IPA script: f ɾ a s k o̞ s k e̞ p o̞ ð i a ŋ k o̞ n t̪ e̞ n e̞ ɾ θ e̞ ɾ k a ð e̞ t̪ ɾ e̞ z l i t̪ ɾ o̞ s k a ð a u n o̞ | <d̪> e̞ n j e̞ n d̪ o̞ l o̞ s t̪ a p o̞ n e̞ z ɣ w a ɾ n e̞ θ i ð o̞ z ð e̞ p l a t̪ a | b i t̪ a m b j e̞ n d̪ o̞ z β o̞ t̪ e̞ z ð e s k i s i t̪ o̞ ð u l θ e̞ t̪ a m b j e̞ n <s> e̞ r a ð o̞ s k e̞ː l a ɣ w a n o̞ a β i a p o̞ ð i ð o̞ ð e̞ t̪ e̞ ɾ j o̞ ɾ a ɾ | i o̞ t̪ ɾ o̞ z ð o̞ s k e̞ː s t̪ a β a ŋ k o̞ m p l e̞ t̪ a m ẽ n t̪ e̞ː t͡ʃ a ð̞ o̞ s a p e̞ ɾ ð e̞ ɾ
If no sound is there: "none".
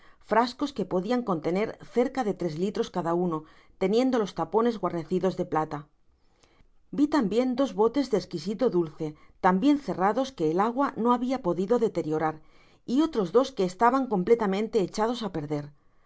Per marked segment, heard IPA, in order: t̪, θ

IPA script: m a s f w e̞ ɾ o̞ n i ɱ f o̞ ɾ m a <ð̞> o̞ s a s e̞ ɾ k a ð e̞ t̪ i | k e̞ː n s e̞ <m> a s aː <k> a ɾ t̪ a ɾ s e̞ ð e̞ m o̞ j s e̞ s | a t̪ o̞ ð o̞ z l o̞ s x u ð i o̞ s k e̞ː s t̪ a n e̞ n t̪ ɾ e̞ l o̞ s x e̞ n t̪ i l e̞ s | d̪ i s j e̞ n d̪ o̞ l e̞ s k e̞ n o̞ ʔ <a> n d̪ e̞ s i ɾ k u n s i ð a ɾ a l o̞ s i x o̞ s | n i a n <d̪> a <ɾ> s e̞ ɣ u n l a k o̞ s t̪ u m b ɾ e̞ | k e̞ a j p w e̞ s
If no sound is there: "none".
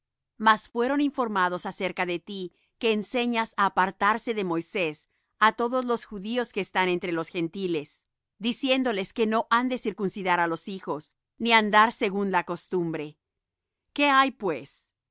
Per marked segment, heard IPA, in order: ð̞, ɲ, p, a, d̪, ɾ

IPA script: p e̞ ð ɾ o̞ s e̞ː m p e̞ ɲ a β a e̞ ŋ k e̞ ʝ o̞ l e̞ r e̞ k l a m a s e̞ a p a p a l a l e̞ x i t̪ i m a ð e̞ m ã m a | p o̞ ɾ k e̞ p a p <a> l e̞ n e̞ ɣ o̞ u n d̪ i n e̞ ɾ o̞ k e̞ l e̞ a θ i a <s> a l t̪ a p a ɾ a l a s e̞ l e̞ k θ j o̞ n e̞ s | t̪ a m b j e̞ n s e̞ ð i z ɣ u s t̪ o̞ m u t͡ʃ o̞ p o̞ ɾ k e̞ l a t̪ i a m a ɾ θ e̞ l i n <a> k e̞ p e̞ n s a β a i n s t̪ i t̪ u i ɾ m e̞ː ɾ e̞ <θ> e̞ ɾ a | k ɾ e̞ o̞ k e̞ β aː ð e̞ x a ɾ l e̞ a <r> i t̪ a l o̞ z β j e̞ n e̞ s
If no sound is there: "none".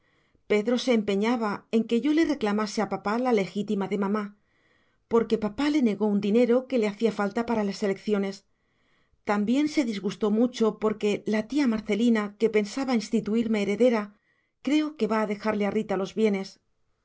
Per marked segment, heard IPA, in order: a, f, a, ð, r

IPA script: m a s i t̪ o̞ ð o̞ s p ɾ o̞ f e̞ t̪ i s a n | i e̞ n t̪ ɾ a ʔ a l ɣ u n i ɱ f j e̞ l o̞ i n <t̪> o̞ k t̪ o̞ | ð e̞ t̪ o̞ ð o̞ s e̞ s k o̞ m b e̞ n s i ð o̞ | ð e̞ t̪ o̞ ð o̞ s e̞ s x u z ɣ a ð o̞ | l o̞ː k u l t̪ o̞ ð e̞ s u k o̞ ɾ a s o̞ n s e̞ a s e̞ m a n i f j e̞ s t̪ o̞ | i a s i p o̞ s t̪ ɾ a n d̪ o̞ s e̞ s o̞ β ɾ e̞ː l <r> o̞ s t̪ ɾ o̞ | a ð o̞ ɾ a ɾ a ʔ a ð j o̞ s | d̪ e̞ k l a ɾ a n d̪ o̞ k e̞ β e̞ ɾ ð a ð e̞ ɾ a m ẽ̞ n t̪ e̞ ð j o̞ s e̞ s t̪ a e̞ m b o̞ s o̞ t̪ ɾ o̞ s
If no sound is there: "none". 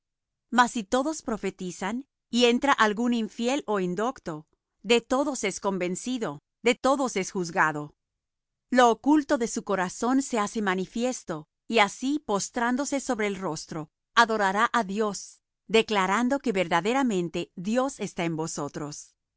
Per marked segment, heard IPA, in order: d̪, r

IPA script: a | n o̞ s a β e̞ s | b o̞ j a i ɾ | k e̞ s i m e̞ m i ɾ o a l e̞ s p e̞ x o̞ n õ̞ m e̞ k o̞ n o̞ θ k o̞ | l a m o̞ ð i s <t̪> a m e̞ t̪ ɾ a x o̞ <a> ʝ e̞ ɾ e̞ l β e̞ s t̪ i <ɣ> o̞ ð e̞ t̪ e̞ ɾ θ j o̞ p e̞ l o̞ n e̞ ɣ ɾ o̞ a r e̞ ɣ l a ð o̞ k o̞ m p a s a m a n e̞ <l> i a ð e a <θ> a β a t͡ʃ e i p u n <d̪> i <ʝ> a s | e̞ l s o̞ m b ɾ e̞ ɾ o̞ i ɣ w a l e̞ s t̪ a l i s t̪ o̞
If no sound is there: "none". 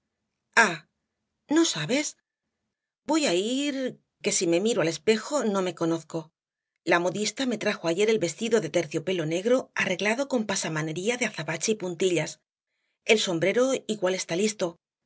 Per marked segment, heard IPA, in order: t̪, a, ð, ɾ, θ, t̪, ʎ

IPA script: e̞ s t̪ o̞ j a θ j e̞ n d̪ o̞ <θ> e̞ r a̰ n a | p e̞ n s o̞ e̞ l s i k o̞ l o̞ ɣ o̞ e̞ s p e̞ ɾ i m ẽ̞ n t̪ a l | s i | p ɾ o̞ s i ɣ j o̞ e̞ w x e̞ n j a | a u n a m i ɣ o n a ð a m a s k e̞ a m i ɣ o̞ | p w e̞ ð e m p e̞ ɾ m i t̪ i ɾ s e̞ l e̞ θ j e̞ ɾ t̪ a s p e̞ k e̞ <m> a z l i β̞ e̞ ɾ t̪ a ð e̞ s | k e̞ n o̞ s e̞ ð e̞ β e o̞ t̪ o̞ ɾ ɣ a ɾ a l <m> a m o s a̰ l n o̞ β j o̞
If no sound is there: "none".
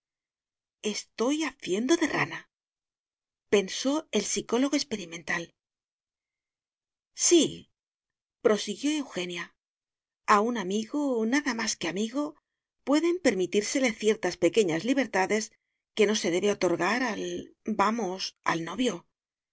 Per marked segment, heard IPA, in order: ð, ɲ, b

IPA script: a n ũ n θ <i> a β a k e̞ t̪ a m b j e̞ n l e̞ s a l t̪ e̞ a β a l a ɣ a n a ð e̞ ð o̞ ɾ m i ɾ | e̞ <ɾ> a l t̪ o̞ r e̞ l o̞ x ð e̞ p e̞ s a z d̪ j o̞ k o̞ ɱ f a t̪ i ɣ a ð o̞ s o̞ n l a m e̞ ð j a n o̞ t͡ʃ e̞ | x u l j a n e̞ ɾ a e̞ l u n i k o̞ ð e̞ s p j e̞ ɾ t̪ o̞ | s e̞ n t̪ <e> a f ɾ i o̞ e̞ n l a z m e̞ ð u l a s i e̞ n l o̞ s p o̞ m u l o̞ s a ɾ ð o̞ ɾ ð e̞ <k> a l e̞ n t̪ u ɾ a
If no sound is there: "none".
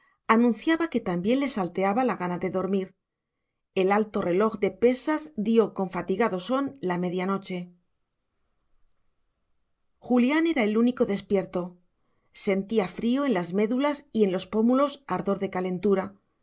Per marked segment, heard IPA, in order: j, l, i, k

